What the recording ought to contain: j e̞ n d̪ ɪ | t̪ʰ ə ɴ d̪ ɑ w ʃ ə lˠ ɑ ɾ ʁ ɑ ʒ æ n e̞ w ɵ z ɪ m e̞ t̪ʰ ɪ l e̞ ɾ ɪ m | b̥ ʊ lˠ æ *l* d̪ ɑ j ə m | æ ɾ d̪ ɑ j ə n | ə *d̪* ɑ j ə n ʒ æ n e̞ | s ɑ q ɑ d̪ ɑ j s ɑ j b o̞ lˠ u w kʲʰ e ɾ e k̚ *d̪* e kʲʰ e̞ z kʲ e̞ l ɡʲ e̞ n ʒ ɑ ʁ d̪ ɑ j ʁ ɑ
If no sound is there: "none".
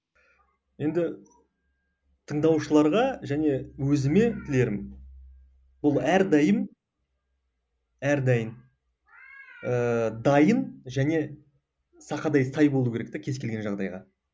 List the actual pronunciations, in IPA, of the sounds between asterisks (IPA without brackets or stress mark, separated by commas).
ɾ, d̪, t̪